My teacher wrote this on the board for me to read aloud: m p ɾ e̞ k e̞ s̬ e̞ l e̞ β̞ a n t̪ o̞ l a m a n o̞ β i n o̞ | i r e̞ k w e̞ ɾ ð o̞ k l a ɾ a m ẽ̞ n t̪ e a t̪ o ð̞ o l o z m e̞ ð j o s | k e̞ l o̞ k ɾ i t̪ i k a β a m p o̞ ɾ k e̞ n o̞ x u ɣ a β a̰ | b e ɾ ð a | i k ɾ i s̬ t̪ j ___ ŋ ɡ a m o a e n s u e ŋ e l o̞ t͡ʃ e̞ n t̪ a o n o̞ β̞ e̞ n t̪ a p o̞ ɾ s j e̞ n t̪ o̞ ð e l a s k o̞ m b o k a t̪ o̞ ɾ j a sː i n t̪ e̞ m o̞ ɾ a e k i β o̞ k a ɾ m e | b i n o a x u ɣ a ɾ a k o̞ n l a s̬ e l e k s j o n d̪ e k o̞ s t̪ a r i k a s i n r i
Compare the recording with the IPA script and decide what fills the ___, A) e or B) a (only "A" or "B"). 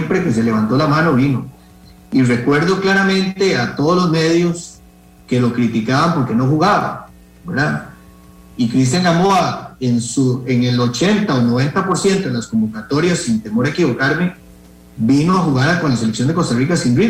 B